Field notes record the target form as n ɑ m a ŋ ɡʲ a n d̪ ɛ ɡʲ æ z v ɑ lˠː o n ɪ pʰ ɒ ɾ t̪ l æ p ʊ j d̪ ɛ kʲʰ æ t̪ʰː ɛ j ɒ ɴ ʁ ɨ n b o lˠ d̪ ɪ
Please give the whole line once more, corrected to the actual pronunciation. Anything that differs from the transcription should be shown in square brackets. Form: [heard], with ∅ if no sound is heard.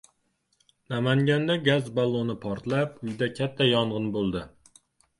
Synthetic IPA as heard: n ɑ m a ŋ ɡʲ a n d̪ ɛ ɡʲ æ z [b] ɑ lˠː o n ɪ pʰ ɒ ɾ t̪ l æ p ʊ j d̪ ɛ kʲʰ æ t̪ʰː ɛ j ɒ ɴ ʁ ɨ n b o lˠ d̪ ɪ